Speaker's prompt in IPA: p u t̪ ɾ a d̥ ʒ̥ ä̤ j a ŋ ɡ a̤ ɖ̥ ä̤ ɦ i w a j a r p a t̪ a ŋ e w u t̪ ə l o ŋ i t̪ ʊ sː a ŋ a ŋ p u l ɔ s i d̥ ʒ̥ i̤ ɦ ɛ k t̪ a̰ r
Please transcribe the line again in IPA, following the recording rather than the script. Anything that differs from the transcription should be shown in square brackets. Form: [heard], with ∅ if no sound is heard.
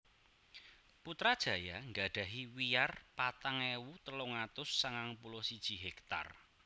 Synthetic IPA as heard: p u t̪ ɾ a d̥ ʒ̥ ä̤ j a ŋ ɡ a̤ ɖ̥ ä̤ ɦ i w [i] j a r p a t̪ a ŋ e w u t̪ ə l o ŋ [a] t̪ ʊ sː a ŋ a ŋ p u l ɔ s i d̥ ʒ̥ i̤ ɦ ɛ k t̪ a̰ r